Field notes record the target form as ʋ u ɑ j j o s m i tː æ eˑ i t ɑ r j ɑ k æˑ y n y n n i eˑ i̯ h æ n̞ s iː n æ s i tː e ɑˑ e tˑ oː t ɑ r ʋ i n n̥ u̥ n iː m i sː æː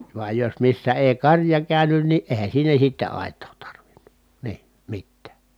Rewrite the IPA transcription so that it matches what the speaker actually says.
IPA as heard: ʋ u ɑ j j o s m i sː æ eˑ i k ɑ r j ɑ k æˑ y n y n n i eˑ i̯ h æ n̞ s iː n æ s i tː e ɑˑ e tˑ oː t ɑ r ʋ i n n̥ u̥ n iː m i tː æː